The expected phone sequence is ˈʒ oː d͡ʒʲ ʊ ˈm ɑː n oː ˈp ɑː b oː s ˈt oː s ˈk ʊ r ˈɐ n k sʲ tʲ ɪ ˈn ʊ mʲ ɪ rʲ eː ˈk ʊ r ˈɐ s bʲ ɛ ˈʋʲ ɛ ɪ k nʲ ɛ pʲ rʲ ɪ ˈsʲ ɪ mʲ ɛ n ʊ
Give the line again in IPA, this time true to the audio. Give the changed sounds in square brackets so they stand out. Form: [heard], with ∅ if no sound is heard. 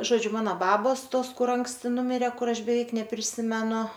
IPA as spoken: ˈʒ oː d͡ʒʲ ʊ ˈm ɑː n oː [ˈb] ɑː b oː s ˈt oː s ˈk ʊ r ˈɐ [ŋ] k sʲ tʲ ɪ ˈn ʊ mʲ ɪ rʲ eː ˈk ʊ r ˈɐ [ʃ] bʲ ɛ ˈʋʲ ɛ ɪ k nʲ ɛ pʲ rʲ ɪ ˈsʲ ɪ mʲ ɛ n ʊ